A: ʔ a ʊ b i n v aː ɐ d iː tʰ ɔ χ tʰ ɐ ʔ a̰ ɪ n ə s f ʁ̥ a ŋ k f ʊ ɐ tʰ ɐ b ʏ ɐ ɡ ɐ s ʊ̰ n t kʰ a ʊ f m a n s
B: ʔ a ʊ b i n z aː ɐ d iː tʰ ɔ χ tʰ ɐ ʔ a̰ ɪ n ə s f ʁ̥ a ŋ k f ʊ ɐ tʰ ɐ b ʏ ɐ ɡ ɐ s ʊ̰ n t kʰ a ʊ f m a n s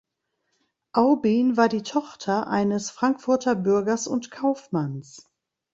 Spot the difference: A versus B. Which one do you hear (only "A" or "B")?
A